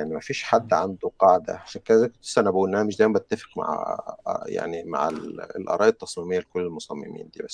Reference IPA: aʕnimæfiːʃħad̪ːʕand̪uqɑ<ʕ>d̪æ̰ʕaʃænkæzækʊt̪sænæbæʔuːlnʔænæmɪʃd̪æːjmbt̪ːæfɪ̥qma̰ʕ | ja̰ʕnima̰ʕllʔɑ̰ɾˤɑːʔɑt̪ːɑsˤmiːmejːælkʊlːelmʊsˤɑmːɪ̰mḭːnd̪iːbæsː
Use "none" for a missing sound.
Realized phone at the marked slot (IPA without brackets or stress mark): ʕ